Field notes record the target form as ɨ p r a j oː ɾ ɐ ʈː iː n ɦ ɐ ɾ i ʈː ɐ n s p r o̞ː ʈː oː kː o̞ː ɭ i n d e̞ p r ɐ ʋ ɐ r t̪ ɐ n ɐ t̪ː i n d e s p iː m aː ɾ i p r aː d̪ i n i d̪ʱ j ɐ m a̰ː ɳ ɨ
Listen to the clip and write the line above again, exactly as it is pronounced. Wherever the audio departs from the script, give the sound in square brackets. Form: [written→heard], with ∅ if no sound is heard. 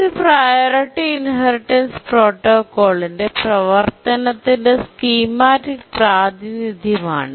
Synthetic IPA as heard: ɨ p r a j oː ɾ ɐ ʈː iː n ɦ ɐ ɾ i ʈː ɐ n s p r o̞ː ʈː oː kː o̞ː ɭ i n d e̞ p r ɐ ʋ ɐ r t̪ ɐ n ɐ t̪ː i n d e s [p→k] iː m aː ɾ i p r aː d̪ i n i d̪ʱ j ɐ m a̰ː ɳ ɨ

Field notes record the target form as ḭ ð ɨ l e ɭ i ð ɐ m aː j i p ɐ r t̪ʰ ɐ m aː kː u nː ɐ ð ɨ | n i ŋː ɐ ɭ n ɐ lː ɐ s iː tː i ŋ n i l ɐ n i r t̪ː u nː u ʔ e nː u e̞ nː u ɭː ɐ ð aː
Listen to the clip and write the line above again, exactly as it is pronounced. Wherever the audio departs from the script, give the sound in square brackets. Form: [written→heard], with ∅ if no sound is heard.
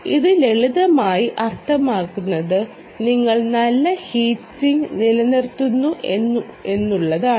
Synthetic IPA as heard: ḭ ð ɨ l e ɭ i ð ɐ m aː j i [p→ʔ] ɐ r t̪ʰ ɐ m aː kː u nː ɐ ð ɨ | n i ŋː ɐ ɭ n ɐ lː ɐ [s→h] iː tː i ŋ n i l ɐ n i r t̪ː u nː u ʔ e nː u e̞ nː u ɭː ɐ ð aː

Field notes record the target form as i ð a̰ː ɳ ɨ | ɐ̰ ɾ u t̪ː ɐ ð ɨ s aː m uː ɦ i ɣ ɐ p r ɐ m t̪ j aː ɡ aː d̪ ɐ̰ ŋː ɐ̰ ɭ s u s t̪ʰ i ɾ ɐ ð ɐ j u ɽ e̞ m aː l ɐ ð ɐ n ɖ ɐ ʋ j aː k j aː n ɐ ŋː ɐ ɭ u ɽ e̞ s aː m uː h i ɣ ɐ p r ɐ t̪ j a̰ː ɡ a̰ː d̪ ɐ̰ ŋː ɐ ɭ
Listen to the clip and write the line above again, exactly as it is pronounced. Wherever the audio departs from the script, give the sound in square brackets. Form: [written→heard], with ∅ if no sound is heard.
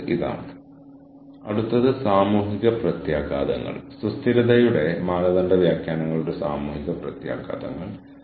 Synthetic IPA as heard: i ð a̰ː ɳ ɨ | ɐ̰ [ɾ→ɽ] u t̪ː ɐ ð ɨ s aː m uː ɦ i ɣ ɐ p r ɐ [m→∅] t̪ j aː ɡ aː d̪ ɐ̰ ŋː ɐ̰ ɭ s u s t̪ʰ i ɾ ɐ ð ɐ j u ɽ e̞ m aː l ɐ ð ɐ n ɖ ɐ ʋ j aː k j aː n ɐ ŋː ɐ ɭ u ɽ e̞ s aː m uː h i ɣ ɐ p r ɐ t̪ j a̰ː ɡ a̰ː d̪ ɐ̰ ŋː ɐ ɭ

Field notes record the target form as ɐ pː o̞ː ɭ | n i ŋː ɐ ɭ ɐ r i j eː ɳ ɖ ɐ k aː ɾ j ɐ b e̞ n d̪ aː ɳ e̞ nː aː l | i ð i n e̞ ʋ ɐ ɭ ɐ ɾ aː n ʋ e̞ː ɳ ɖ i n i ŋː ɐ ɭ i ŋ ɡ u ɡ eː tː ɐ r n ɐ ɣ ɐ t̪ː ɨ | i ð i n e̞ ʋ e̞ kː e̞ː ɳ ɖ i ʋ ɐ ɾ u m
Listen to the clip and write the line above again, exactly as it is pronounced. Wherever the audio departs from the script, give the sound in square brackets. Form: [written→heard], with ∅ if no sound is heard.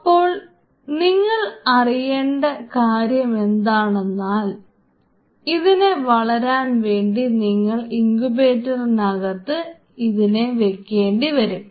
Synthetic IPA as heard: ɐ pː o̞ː ɭ | n i ŋː ɐ ɭ ɐ r i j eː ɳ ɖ ɐ k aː ɾ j ɐ [b→m] e̞ n d̪ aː ɳ e̞ nː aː l | i ð i n e̞ ʋ ɐ ɭ ɐ ɾ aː n ʋ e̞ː ɳ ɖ i n i ŋː ɐ ɭ i ŋ ɡ u [ɡ→b] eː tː ɐ r n ɐ ɣ ɐ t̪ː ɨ | i ð i n e̞ ʋ e̞ kː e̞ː ɳ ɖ i ʋ ɐ ɾ u m

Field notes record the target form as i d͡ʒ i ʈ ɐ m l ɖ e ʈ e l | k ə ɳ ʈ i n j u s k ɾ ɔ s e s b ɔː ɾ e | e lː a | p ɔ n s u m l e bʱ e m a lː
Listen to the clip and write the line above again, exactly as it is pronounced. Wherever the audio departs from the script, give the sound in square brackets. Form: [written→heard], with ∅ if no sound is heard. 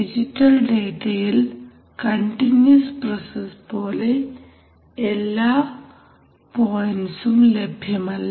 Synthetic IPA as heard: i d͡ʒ i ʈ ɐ [m→∅] l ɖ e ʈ e l | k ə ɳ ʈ i n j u s [k→p] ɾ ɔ s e s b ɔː [ɾ→l] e | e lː a | p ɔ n s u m l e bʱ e m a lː

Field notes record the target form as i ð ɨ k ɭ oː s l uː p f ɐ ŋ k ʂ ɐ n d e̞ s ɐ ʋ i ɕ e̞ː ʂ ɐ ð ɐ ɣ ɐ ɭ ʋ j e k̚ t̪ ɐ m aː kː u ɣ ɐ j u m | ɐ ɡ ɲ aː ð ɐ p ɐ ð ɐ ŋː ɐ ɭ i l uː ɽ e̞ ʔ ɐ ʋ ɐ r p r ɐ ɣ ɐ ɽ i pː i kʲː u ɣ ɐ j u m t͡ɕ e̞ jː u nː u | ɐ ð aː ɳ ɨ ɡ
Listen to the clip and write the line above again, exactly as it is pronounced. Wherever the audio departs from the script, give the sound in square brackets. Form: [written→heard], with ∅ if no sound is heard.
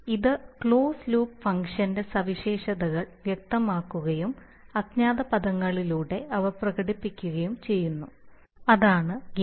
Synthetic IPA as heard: i ð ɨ k ɭ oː s l uː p f ɐ ŋ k ʂ ɐ n d e̞ s ɐ ʋ i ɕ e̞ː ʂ ɐ ð ɐ ɣ ɐ ɭ ʋ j e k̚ t̪ ɐ m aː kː u ɣ ɐ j u m | ɐ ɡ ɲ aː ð ɐ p ɐ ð ɐ ŋː ɐ ɭ i l uː ɽ e̞ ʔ ɐ ʋ ɐ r p r ɐ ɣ ɐ ɽ i pː i kʲː u ɣ ɐ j u m t͡ɕ e̞ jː u nː u | ɐ ð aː ɳ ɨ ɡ

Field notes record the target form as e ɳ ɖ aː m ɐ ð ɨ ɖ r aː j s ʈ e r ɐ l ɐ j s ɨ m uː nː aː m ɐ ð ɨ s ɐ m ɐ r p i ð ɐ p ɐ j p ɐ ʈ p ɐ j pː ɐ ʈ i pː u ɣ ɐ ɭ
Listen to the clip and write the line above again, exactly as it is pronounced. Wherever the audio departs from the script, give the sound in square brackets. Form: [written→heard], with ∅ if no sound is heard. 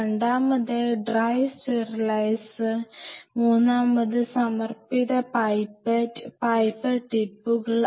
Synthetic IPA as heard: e ɳ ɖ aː m ɐ ð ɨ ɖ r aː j s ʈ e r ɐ l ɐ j s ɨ m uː nː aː m ɐ ð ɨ s ɐ m ɐ r p i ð ɐ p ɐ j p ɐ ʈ p ɐ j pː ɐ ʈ i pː u ɣ ɐ ɭ

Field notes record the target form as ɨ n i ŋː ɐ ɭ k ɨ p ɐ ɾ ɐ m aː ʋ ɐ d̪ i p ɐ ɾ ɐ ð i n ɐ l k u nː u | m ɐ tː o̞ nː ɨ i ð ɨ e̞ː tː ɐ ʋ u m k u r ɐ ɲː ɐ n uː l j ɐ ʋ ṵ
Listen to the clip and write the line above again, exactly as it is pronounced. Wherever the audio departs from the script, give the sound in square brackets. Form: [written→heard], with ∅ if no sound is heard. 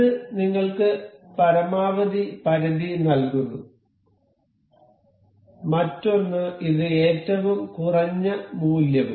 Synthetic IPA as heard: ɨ n i ŋː ɐ ɭ k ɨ p ɐ ɾ ɐ m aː ʋ ɐ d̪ i p ɐ ɾ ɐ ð i n ɐ l k u nː u | m ɐ tː o̞ nː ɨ i ð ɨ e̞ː tː ɐ ʋ u m k u r ɐ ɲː ɐ [n→m] uː l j ɐ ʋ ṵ

